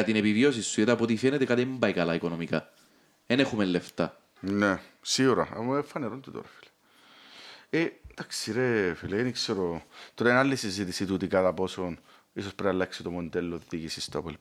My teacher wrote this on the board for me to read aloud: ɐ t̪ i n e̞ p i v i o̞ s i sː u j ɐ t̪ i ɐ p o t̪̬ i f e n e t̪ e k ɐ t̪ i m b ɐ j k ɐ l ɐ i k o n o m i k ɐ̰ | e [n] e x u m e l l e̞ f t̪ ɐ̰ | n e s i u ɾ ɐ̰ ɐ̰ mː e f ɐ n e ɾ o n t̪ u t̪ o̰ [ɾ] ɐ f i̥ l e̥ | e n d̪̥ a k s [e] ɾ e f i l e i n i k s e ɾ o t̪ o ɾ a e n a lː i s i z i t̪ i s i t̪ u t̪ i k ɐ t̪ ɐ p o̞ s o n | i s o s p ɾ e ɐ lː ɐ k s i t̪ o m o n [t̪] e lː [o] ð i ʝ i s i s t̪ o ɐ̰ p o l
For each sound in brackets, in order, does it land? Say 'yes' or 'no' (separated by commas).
yes, yes, no, no, yes